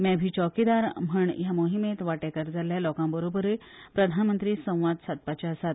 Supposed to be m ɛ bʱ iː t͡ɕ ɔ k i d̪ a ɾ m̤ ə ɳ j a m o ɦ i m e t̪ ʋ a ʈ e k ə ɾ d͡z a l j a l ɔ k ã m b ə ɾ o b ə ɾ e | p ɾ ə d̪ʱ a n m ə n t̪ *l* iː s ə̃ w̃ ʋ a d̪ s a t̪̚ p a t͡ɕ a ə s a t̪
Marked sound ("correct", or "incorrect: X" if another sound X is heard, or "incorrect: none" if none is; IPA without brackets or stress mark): incorrect: ɾ